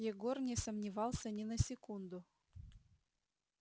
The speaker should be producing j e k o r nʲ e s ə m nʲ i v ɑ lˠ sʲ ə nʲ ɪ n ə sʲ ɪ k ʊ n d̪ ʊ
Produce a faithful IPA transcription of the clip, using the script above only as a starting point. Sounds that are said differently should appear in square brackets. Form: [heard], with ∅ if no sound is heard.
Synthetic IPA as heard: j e [ɡ] o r nʲ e s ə m nʲ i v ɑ lˠ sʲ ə nʲ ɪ n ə sʲ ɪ k [u] n d̪ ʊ